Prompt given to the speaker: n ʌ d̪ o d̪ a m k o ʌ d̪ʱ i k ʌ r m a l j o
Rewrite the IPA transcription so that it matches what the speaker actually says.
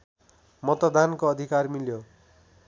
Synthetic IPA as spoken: m ʌ t̪ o d̪ a n k o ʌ d̪ʱ i k a r m i l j o